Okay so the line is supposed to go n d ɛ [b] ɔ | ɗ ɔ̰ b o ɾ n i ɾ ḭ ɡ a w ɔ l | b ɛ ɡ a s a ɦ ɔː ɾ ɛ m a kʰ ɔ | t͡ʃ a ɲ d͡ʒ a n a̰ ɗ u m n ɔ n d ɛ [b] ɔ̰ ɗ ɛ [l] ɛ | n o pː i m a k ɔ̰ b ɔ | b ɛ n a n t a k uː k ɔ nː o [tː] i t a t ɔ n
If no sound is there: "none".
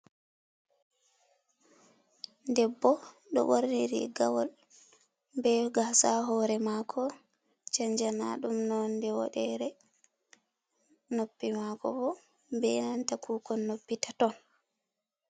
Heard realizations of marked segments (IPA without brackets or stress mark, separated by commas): bː, w, ɾ, pː